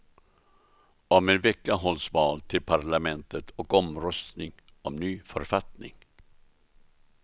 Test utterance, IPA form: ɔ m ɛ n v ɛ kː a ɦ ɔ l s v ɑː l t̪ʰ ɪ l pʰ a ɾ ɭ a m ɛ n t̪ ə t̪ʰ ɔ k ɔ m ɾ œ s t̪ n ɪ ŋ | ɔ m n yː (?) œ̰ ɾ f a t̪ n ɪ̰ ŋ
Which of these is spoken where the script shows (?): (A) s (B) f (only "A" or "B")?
B